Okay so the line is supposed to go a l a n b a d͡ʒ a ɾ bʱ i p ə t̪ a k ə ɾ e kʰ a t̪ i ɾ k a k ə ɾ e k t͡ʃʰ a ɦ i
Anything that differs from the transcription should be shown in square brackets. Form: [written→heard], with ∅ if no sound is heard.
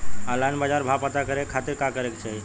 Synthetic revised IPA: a l a n b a d͡ʒ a ɾ bʱ [i→a] p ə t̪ a k ə ɾ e kʰ a t̪ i ɾ k a k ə ɾ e k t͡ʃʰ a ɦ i